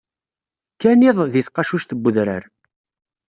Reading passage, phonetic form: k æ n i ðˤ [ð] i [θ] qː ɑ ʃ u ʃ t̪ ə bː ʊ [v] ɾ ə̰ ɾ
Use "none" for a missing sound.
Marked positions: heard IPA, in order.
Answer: ð, θ, ð

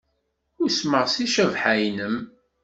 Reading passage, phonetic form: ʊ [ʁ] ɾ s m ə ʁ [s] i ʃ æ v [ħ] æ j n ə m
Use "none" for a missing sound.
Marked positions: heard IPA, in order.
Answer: none, s, ħ

